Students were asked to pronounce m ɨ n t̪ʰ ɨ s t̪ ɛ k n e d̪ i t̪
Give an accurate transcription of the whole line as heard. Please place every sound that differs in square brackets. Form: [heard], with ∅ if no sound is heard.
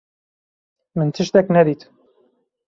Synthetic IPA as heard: m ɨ n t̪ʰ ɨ [ʃ] t̪ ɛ k n [ɛ] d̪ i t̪

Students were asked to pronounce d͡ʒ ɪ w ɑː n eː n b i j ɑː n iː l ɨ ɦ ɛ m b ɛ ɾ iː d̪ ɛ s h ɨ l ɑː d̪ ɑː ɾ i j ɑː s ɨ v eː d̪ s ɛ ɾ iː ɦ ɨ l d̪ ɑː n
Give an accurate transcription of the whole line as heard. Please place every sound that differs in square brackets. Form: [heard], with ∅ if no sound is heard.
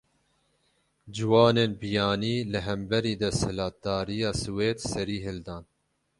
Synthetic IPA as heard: d͡ʒ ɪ w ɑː n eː n b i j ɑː n iː l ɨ ɦ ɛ m b ɛ ɾ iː d̪ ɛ s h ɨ l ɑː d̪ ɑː ɾ i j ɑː s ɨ [w] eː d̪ s ɛ ɾ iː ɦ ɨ l d̪ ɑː n

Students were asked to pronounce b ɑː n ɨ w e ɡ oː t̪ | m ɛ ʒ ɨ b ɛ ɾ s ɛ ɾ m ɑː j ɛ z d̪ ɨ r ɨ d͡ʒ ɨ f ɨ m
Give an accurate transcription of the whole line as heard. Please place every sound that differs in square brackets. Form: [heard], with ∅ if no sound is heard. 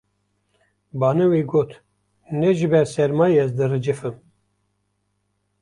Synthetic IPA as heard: b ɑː n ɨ w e ɡ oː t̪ | [n] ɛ ʒ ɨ b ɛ ɾ s ɛ ɾ m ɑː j ɛ z d̪ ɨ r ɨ d͡ʒ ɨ f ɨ m

